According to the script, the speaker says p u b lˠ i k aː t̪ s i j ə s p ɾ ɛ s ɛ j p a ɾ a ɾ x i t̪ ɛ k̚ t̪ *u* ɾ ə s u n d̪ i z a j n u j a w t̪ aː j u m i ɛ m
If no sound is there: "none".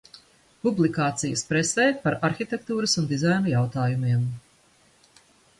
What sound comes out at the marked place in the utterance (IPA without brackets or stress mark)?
uː